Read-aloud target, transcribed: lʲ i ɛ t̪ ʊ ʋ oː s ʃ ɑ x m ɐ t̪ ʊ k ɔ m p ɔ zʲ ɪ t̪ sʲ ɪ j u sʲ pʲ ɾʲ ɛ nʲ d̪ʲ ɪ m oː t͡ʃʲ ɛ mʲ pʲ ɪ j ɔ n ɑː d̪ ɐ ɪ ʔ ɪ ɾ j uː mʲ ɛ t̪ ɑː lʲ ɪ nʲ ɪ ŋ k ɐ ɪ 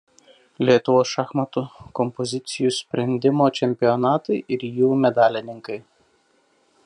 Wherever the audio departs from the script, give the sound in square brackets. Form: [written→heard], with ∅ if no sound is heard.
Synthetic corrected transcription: lʲ i ɛ t̪ ʊ ʋ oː s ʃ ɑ x m ɐ t̪ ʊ k ɔ m p ɔ zʲ ɪ t̪ sʲ ɪ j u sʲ pʲ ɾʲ ɛ nʲ d̪ʲ ɪ m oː t͡ʃʲ ɛ mʲ pʲ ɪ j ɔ n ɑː [d̪→t̪] ɐ ɪ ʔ ɪ ɾ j uː mʲ ɛ [t̪→d̪] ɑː lʲ ɪ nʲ ɪ ŋ k ɐ ɪ